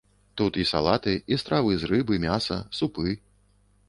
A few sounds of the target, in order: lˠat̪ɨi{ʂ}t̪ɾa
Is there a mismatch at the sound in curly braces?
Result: yes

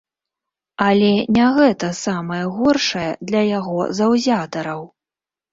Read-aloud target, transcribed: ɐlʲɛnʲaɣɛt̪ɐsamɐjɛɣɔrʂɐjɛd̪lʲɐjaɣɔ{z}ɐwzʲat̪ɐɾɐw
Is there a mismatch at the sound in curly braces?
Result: no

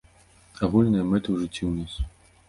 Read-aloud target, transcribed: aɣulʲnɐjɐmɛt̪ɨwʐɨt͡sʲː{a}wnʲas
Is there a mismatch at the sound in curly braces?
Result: yes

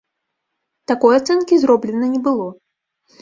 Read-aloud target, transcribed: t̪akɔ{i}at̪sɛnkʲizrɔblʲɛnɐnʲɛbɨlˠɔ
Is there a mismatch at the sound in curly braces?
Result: yes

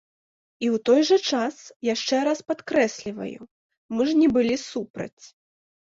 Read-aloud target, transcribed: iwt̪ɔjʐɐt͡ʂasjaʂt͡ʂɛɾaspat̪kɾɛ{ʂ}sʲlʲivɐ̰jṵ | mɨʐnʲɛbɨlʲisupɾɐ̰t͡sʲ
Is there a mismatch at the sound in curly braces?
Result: yes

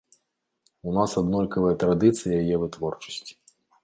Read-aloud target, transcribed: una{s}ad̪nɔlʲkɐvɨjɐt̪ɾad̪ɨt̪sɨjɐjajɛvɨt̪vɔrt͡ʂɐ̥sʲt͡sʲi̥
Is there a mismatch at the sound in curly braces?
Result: no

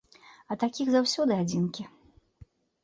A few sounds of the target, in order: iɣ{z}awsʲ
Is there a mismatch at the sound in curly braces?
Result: no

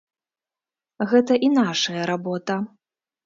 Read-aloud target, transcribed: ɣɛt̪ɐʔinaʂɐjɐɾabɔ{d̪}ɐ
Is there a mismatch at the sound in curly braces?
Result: yes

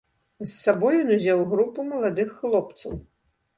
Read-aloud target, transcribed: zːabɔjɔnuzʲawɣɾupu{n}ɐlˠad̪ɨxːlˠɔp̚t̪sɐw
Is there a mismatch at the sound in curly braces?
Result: yes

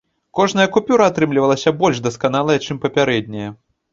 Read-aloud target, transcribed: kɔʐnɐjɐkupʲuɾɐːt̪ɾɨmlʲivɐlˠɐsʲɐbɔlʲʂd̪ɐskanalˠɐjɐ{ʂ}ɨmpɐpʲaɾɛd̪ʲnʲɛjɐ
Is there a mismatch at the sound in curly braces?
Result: yes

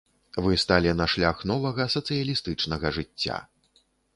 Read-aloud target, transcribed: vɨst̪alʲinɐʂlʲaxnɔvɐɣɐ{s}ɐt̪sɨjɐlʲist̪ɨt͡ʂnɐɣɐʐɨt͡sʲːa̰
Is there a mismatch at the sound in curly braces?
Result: no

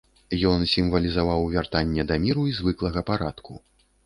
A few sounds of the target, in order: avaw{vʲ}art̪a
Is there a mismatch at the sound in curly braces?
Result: no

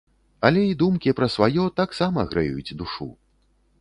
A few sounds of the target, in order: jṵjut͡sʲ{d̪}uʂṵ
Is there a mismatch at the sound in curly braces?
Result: no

